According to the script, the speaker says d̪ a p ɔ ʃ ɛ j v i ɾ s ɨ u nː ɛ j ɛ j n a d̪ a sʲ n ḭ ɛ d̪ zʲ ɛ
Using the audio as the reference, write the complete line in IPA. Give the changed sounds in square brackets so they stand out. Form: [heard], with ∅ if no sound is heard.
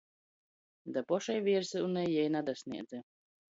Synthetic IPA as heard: d̪ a p ɔ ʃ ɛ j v i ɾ s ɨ u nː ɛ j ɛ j n a d̪ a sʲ n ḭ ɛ d̪ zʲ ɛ